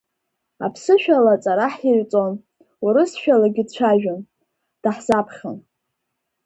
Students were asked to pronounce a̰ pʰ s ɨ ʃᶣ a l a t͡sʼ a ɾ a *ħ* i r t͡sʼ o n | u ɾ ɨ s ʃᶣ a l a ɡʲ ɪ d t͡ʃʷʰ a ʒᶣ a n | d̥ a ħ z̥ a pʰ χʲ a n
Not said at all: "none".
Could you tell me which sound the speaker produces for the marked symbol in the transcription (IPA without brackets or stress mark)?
ħ